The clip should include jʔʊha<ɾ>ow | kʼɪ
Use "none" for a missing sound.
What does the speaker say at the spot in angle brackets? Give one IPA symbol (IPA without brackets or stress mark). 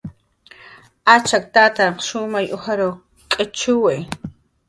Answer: ɾ